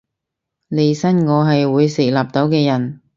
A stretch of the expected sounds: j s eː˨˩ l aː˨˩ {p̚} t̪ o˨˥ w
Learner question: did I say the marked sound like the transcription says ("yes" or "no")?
yes